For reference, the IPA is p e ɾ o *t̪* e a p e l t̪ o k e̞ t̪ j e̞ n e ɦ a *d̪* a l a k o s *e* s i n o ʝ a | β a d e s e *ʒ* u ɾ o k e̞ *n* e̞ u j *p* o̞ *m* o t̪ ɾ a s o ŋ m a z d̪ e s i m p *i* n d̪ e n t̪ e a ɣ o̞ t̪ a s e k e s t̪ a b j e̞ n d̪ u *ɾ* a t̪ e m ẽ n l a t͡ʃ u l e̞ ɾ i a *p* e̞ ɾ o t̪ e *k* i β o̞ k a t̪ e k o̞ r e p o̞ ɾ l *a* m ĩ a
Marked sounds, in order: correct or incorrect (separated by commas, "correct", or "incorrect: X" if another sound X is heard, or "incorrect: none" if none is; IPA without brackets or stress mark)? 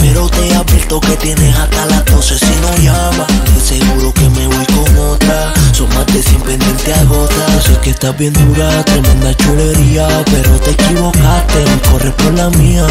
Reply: correct, incorrect: t̪, correct, incorrect: ɣ, incorrect: m, incorrect: k, incorrect: ŋ, incorrect: e, correct, correct, correct, correct